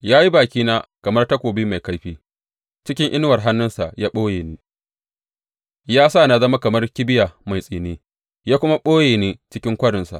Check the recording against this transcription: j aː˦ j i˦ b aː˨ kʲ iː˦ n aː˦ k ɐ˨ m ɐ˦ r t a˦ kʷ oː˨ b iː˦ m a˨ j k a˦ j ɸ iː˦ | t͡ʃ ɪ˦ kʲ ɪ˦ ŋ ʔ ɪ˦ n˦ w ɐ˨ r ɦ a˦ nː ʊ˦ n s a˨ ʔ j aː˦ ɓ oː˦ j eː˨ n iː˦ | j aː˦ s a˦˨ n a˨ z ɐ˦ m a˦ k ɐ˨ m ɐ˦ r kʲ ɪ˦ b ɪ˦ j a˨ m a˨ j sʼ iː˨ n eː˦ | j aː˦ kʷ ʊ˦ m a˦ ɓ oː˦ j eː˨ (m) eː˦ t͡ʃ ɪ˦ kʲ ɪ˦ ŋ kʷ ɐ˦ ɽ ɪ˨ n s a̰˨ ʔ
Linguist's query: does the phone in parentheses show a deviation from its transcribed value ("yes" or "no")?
yes